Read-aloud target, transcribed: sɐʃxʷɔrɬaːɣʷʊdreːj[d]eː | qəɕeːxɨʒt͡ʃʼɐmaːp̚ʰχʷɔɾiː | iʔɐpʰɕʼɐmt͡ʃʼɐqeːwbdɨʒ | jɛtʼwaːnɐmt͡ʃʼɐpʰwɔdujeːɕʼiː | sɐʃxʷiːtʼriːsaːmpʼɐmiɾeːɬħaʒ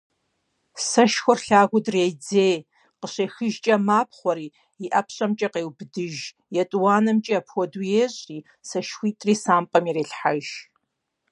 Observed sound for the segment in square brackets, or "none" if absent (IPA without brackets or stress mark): d͡z